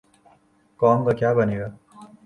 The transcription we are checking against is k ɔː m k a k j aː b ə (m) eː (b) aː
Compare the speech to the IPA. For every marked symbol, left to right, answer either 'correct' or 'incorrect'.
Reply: incorrect, incorrect

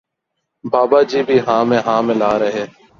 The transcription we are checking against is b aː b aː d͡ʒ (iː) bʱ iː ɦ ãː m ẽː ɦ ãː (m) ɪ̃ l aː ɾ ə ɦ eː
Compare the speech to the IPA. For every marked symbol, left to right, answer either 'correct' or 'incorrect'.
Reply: correct, correct

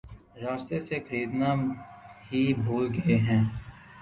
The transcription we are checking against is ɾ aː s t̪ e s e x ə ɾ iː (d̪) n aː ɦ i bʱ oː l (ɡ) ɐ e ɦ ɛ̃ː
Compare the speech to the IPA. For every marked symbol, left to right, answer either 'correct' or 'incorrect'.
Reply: correct, correct

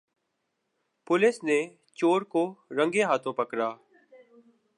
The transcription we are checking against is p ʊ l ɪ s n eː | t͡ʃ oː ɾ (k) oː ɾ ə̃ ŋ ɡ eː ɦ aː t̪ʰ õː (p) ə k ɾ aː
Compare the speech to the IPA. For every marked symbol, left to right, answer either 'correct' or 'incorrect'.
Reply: correct, correct

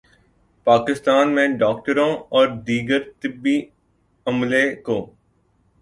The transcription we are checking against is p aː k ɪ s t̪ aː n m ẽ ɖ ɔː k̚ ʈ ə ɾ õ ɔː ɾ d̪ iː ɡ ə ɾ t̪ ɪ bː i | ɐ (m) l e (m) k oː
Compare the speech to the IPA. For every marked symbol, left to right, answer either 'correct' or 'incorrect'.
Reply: correct, incorrect

